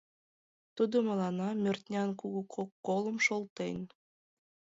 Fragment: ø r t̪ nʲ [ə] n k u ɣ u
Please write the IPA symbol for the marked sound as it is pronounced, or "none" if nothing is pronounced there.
ɑ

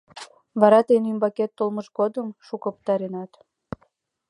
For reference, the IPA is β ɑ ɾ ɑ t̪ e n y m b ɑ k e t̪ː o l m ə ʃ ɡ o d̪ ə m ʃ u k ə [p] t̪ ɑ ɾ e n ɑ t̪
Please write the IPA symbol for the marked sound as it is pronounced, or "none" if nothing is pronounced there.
p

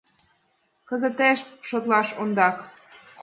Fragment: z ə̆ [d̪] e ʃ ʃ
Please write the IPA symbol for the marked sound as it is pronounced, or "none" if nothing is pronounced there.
t̪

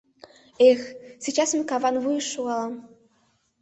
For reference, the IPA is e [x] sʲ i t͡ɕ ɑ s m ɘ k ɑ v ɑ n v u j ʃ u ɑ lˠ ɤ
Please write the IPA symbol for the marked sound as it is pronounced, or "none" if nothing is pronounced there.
x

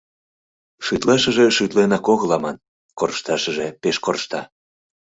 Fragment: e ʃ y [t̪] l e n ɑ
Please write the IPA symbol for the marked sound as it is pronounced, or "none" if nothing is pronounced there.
t̪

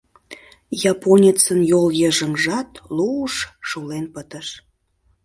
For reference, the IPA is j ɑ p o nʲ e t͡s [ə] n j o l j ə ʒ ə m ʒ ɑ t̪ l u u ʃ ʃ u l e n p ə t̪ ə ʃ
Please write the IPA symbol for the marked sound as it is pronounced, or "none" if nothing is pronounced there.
ə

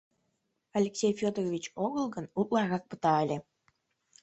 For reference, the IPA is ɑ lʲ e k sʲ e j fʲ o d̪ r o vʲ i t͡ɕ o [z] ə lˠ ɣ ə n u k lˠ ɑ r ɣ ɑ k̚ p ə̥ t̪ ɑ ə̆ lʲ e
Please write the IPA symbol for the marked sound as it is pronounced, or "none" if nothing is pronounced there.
ɣ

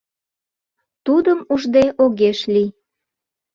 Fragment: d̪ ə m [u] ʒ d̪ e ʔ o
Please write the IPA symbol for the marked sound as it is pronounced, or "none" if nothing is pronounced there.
u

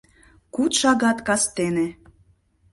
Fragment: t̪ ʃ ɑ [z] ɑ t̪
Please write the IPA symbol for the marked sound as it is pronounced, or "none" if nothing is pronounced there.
ɣ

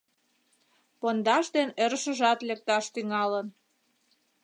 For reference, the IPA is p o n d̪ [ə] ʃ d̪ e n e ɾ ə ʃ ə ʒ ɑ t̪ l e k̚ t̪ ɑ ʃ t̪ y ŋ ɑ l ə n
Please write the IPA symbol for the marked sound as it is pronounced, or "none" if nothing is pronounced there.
ɑ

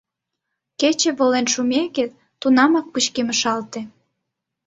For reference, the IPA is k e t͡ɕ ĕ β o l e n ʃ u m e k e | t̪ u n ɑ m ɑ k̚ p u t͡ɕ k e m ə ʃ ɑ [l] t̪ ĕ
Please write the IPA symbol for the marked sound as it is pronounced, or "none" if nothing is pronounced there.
l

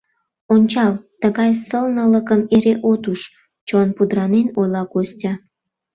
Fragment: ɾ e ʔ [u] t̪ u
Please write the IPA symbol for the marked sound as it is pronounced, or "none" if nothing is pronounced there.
o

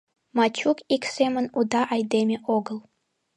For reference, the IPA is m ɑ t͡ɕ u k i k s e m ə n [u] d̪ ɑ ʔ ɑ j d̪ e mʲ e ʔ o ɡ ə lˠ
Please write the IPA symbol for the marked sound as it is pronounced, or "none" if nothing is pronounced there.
u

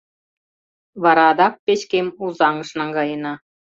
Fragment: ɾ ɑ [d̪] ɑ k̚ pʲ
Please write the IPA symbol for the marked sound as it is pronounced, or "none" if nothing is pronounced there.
d̪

